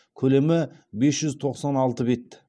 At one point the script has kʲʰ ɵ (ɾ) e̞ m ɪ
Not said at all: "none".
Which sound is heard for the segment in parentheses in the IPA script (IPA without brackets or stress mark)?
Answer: l